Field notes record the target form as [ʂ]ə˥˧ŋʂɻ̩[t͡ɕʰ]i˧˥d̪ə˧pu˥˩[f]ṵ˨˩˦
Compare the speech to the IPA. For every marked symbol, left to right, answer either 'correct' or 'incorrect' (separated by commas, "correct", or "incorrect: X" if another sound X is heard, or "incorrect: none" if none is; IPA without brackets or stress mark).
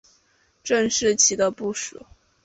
incorrect: ʈ͡ʂ, correct, incorrect: ʂ